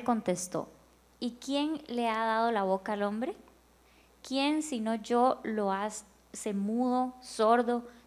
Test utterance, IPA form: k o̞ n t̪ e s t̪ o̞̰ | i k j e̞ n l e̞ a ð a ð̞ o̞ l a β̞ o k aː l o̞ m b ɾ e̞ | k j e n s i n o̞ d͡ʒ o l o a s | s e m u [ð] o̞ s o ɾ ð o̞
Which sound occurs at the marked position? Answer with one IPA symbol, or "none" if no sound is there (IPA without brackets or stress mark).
ð